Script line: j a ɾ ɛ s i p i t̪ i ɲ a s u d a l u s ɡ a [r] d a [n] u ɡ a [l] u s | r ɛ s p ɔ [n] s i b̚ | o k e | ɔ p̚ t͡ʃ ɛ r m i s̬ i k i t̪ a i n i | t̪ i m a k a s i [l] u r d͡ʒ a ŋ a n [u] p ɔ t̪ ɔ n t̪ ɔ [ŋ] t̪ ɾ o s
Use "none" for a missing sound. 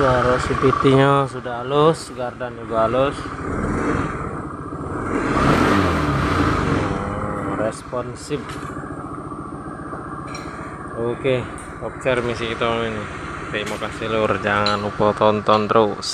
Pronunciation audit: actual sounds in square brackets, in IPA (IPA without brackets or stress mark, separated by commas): r, n, l, n, l, u, n